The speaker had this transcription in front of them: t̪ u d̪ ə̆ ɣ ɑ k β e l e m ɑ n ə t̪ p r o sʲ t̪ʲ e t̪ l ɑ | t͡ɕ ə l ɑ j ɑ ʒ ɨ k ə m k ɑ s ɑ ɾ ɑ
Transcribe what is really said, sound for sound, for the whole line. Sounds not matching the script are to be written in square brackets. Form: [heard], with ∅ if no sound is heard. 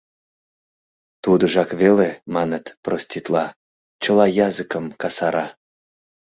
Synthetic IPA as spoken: t̪ u d̪ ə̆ [ʒ] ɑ k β e l e m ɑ n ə t̪ p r o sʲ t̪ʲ [i] t̪ l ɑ | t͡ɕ ə l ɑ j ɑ [z] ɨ k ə m k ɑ s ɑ ɾ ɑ